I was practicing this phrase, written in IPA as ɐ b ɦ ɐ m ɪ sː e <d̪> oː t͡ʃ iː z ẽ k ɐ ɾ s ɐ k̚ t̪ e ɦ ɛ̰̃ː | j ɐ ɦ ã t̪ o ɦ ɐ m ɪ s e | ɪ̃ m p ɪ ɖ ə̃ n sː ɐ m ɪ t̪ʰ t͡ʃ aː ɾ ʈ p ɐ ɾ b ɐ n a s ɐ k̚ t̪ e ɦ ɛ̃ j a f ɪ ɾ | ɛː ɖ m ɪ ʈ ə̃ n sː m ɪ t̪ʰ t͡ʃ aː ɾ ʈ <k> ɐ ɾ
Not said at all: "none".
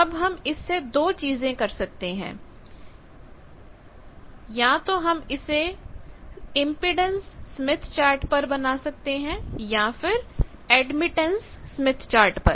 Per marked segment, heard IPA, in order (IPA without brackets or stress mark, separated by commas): d̪, p